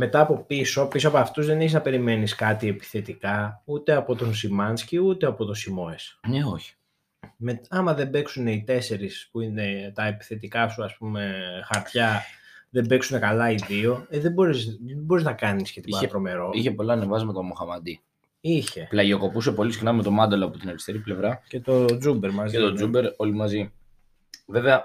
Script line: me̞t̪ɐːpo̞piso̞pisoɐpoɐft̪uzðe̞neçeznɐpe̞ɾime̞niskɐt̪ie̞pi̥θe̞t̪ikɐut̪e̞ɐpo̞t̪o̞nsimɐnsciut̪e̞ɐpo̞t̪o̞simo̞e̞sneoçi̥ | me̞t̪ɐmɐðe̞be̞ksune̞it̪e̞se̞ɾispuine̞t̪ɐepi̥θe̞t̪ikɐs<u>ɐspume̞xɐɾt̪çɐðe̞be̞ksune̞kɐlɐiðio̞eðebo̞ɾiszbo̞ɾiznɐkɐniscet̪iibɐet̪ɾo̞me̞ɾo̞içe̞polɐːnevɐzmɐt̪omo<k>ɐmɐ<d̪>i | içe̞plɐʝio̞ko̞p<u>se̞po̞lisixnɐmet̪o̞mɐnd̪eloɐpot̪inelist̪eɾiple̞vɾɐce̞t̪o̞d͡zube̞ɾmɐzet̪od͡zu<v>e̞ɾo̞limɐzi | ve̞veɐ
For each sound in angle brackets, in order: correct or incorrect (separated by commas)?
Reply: correct, incorrect, correct, correct, incorrect